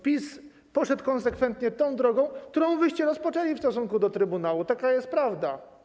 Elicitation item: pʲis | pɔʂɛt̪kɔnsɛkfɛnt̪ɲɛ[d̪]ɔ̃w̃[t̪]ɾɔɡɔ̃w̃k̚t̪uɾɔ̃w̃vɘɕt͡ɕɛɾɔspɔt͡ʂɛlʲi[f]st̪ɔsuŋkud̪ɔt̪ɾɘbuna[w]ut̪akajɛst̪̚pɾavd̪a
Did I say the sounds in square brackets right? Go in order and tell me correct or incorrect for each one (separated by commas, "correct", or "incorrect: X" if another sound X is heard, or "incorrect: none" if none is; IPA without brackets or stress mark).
incorrect: t̪, incorrect: d̪, correct, correct